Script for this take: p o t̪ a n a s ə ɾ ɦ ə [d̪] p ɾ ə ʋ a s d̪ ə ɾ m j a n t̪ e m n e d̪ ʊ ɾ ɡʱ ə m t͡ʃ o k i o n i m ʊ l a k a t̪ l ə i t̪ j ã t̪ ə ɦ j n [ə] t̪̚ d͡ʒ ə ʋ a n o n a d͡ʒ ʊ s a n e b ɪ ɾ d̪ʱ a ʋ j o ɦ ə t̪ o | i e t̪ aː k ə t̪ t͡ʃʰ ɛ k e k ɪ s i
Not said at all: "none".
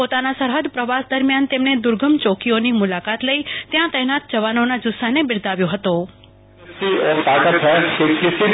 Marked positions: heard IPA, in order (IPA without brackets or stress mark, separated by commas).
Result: d̪, a